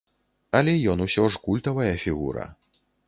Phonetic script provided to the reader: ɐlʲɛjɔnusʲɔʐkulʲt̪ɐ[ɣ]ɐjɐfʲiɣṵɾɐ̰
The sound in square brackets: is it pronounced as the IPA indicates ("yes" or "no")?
no